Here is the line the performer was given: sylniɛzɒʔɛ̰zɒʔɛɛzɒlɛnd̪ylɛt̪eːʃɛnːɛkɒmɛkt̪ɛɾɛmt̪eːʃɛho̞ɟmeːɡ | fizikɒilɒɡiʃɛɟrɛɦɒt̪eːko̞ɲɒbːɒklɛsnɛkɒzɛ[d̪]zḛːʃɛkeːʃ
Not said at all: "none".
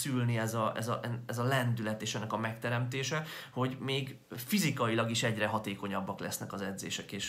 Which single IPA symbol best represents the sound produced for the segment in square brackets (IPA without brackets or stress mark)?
d̪